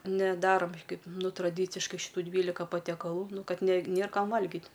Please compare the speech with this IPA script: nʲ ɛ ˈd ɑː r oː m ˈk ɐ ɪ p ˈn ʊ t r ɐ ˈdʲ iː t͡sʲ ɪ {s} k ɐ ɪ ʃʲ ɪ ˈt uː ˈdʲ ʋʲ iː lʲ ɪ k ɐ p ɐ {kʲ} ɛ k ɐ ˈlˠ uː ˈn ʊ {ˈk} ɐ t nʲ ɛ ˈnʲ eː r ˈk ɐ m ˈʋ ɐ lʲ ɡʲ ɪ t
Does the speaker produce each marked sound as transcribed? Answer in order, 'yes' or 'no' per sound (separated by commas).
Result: no, no, yes